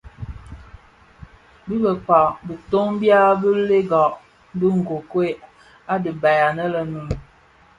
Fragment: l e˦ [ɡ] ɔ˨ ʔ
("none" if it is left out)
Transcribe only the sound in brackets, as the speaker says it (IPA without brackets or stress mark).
ɡ